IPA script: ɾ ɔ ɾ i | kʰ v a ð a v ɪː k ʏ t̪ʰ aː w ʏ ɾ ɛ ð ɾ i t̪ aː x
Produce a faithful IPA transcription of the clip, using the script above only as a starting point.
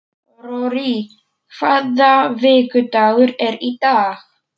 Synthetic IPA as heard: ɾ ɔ ɾ i | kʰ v a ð a v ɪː k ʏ t̪ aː ɣ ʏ ɾ ɛ ɾ i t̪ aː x